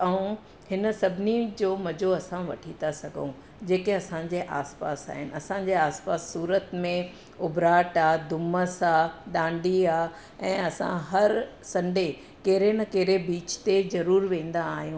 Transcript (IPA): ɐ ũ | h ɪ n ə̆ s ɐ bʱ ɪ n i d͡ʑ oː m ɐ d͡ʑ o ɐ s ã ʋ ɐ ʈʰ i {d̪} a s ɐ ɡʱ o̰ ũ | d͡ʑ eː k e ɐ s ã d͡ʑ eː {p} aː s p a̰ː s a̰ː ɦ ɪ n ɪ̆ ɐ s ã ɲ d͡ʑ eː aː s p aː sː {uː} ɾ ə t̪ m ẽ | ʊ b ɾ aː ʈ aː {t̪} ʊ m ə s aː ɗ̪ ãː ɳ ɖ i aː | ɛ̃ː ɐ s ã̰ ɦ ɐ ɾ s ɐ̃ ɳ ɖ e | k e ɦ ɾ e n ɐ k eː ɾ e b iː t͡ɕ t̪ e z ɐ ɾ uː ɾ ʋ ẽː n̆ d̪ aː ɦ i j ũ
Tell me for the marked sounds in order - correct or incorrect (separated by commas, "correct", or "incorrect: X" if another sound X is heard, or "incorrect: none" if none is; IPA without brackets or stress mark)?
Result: incorrect: t̪, incorrect: ʔ, correct, incorrect: d̪